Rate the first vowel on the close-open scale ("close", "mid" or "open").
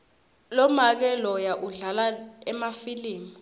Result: mid